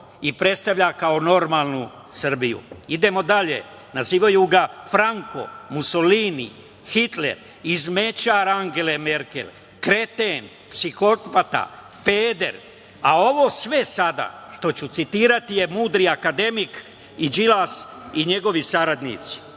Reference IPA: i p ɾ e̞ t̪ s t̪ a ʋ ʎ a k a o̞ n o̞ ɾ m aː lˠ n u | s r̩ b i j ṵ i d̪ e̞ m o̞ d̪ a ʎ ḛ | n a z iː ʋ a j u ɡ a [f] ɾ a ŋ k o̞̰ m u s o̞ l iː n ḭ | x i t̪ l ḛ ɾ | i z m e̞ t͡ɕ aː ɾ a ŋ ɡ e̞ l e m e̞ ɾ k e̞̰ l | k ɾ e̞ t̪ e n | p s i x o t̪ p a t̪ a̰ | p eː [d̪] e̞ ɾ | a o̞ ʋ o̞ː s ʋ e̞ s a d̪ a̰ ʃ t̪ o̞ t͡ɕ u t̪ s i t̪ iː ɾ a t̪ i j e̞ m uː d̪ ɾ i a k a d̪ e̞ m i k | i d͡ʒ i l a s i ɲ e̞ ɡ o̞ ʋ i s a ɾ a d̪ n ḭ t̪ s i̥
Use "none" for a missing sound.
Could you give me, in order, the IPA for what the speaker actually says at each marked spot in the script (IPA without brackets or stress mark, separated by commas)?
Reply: f, d̪